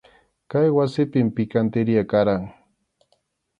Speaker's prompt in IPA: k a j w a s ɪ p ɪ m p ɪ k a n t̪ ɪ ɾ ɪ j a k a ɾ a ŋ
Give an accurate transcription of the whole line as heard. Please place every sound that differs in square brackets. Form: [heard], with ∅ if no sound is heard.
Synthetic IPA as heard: k a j w a s ɪ p ɪ m p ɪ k a n t̪ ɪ ɾ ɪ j a k a ɾ a ŋ